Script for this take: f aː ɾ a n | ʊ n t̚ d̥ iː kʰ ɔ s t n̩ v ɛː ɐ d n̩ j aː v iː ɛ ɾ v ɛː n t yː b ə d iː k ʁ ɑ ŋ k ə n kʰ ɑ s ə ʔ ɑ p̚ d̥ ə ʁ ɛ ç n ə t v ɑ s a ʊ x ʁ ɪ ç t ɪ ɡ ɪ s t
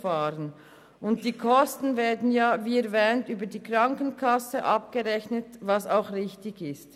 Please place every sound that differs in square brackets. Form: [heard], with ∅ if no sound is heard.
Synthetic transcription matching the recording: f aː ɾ [ə] n | ʊ n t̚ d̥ iː kʰ ɔ s t n̩ v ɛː ɐ d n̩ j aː v iː ɛ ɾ v ɛː n t yː b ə d iː k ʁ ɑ ŋ k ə n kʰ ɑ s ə ʔ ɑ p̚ [ɡ̥] ə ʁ ɛ ç n ə t v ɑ s a ʊ x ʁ ɪ ç t ɪ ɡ ɪ s t